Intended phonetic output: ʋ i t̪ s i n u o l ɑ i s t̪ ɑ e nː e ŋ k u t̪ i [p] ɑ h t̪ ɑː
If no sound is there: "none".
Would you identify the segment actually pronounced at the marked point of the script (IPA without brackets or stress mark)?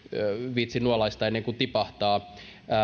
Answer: p